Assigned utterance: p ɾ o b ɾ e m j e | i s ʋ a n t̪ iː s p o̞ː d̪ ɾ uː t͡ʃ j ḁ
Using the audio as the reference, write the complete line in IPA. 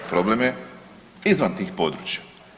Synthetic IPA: p ɾ o b l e m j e | i z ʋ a n t̪ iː x p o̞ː d̪ ɾ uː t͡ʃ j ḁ